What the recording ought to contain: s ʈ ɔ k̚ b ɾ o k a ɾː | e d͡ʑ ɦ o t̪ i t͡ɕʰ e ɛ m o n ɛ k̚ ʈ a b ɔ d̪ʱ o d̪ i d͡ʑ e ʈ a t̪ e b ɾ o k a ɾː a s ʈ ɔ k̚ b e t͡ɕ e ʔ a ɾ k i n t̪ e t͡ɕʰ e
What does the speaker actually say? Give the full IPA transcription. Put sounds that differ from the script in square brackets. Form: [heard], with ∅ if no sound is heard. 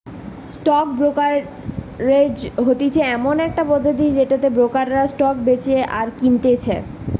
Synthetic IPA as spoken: s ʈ ɔ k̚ b ɾ o k a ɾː | e d͡ʑ ɦ o t̪ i t͡ɕʰ e ɛ m o n ɛ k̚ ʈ a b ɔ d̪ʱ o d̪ i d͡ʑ e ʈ a t̪ e b ɾ o k a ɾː a s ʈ ɔ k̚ b e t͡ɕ e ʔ a ɾ k i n t̪ e t͡ɕʰ e